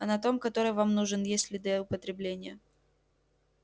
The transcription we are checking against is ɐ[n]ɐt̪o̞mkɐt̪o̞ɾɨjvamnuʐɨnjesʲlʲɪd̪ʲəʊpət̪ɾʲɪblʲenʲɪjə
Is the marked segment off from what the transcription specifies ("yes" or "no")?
no